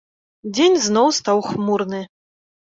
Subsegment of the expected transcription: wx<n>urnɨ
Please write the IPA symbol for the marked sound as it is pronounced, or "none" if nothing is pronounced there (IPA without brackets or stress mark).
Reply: m